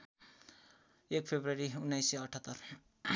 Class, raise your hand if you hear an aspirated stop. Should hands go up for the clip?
yes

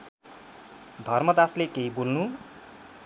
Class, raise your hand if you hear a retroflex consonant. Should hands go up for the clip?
no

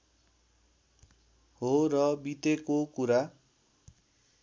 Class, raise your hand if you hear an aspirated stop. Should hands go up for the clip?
no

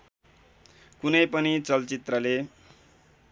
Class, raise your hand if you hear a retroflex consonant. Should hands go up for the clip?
no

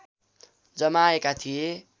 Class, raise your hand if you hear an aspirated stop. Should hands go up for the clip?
yes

